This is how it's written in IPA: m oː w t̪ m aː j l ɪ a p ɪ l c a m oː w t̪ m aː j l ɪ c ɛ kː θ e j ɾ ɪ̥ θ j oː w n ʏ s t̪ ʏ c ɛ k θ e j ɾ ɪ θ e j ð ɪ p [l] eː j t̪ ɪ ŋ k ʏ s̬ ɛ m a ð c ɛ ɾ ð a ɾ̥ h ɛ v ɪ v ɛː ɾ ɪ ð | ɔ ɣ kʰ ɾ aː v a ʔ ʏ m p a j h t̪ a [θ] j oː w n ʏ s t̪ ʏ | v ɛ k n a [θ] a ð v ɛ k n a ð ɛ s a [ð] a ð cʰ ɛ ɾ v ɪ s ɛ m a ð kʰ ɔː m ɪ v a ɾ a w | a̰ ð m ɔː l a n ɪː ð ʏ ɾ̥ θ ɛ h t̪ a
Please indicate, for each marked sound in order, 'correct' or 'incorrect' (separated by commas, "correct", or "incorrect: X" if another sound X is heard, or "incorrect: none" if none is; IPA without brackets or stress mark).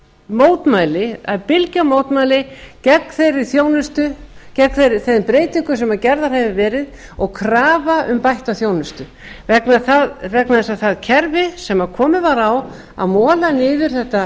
incorrect: ɾ, correct, correct, incorrect: θ